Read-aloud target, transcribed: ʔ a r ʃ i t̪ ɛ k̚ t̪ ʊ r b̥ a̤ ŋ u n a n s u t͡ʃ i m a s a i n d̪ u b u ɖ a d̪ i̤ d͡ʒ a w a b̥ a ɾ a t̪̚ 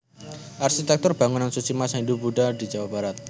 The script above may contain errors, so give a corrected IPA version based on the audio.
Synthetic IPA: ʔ a r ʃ i t̪ ɛ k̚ t̪ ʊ r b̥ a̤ ŋ u n a n s u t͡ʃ i m a s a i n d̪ u b u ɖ a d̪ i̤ d͡ʒ a w a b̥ a ɾ a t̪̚